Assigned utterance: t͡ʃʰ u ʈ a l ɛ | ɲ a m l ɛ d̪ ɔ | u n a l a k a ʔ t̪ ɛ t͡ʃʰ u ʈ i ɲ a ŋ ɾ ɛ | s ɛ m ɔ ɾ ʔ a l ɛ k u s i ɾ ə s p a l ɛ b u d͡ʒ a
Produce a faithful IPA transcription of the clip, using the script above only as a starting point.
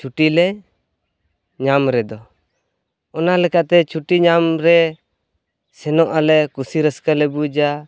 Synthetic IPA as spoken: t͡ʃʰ u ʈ i l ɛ | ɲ a m ɾ ɛ d̪ ɔ | ɔ n a l ɛ k a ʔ t̪ ɛ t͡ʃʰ u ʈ i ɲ a m ɾ ɛ | s ɛ n ɔ ʔ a l ɛ k u s i ɾ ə s k a l ɛ b u d͡ʒ a